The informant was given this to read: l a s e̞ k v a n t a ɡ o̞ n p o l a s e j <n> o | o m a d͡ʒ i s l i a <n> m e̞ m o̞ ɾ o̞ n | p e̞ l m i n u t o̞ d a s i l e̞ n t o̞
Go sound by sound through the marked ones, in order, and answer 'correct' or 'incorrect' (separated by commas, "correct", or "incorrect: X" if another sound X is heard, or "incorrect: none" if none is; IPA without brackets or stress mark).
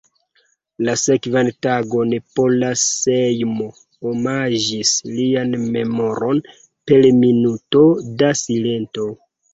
incorrect: m, correct